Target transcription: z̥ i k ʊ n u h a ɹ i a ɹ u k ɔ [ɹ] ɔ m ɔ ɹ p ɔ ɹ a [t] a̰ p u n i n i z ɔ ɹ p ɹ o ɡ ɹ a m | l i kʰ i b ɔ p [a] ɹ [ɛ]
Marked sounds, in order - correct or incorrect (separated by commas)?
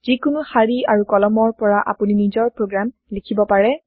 incorrect, incorrect, correct, correct